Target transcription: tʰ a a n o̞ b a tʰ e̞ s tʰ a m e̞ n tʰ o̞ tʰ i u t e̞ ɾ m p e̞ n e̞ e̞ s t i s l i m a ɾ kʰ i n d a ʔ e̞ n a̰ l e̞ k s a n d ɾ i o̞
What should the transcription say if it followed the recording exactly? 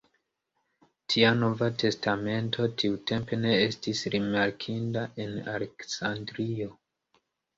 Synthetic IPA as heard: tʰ i a n o̞ v a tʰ e̞ s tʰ a m e̞ n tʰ o̞ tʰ i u t e̞ m p e̞ n e̞ e̞ s t i s ɾ i m a ɾ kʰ i n d a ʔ e̞ n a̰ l e̞ k s a n d ɾ i o̞

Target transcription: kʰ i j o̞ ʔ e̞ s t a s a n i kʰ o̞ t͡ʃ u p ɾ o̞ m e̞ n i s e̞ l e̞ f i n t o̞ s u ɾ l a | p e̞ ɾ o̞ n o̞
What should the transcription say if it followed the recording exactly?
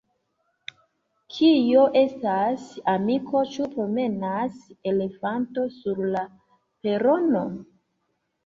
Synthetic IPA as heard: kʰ i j o̞ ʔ e̞ s t a s a m i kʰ o̞ t͡ʃ u p ɾ o̞ m e̞ n a s e̞ l e̞ f a n t o̞ s u ɾ l a | p e̞ ɾ o̞ n o̞

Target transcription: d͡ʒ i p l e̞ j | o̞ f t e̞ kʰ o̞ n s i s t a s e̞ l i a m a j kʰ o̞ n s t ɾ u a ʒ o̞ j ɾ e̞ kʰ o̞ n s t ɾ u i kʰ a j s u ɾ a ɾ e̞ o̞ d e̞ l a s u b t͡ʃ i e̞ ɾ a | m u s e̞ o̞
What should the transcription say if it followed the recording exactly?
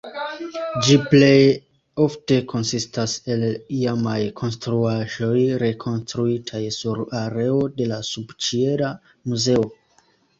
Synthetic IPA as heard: d͡ʒ i p l e̞ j | o̞ f t e̞ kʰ o̞ n s i s t a s e̞ l i a m a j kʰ o̞ n s t ɾ u a ʒ o̞ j ɾ e̞ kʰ o̞ n s t ɾ u i tʰ a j s u ɾ a ɾ e̞ o̞ d e̞ l a s u b t͡ʃ i e̞ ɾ a | m u z e̞ o̞

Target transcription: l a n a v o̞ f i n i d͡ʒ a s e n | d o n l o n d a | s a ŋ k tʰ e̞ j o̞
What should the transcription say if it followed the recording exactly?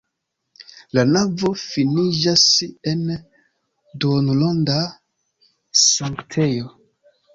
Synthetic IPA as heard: l a n a v o̞ f i n i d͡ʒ a s e n | d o n l o n d a | s a ŋ k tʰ e̞ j o̞

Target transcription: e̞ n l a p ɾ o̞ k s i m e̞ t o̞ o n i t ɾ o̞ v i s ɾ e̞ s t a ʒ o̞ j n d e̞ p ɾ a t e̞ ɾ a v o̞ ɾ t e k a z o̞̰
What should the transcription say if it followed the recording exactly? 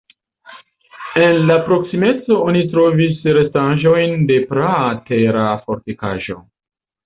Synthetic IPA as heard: e̞ n l a p ɾ o̞ k s i m e̞ t͡s o̞ o n i t ɾ o̞ v i s ɾ e̞ s t a ʒ o̞ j n d e̞ p ɾ a t e̞ ɾ a f o̞ ɾ t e k a ʒ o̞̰

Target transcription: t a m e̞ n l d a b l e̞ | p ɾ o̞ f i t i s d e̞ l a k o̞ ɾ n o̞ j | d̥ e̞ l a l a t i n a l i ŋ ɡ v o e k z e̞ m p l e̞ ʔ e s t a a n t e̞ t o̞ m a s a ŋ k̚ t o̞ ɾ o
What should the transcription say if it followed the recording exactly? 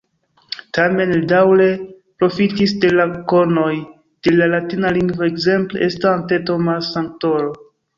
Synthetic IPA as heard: t a m e̞ n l d a w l e̞ | p ɾ o̞ f i t i s d e̞ l a k o̞ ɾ n o̞ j | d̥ e̞ l a l a t i n a l i ŋ ɡ v o e k z e̞ m p l e̞ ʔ e s t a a n t e̞ t o̞ m a s a ŋ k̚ t o̞ ɾ o

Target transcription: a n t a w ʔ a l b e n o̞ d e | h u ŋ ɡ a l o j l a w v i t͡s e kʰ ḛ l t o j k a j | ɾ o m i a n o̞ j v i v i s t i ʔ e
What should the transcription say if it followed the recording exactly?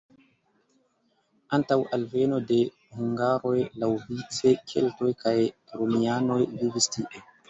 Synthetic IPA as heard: a n t a w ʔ a l v e n o̞ d e | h u ŋ ɡ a ɾ o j l a w v i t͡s e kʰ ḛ l t o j k a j | ɾ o m i a n o̞ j v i v i s t i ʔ e

